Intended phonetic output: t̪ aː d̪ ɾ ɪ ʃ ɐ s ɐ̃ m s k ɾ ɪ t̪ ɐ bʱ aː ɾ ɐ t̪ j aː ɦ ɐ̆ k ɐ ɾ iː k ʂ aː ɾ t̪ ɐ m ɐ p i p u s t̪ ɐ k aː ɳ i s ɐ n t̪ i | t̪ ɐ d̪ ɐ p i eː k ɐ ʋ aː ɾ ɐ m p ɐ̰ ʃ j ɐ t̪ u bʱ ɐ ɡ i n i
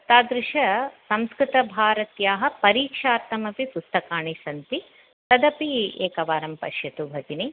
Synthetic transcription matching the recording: t̪ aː d̪ ɾ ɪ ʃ ɐ s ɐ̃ m s k ɾ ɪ t̪ ɐ bʱ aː ɾ ɐ t̪ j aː ɦ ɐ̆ p ɐ ɾ iː k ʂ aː ɾ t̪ ɐ m ɐ p i p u s t̪ ɐ k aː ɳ i s ɐ n t̪ i | t̪ ɐ d̪ ɐ p i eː k ɐ ʋ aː ɾ ɐ m p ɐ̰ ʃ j ɐ t̪ u bʱ ɐ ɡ i n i

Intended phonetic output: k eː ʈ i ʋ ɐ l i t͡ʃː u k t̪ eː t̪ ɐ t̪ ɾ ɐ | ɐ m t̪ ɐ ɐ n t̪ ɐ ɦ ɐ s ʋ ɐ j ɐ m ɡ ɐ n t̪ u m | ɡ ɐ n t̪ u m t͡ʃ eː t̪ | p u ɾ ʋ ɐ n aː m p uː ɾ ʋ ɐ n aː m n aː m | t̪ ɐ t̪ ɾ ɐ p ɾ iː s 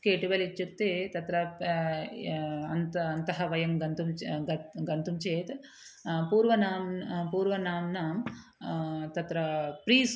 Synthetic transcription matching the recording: k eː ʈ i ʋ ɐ l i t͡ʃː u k t̪ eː t̪ ɐ t̪ ɾ ɐ | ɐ n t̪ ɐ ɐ n t̪ ɐ ɦ ɐ ʋ ɐ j ɐ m ɡ ɐ n t̪ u m | ɡ ɐ n t̪ u m t͡ʃ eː t̪ | p uː ɾ ʋ ɐ n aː m p uː ɾ ʋ ɐ n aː m n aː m | t̪ ɐ t̪ ɾ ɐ p ɾ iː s

